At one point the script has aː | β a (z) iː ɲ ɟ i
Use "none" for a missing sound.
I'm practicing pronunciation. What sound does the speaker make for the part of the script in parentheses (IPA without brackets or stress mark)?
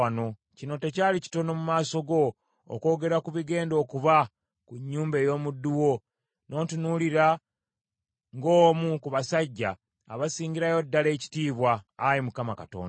s